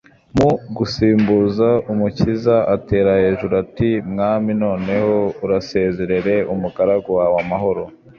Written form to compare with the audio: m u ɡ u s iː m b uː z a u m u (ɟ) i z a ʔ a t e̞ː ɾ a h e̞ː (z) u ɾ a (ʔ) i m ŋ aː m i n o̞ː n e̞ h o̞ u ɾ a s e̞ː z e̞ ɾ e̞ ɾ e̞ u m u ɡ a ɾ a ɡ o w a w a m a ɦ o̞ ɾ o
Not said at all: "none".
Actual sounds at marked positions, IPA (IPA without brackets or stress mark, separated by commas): c, ʒ, t